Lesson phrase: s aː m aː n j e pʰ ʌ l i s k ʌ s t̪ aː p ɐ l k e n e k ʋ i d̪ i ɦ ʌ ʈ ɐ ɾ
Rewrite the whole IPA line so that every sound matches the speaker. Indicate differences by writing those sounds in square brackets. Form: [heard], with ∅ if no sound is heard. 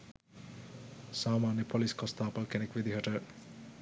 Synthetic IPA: s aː m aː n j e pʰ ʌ l i s k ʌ s t̪ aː p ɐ l k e n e k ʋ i d̪ i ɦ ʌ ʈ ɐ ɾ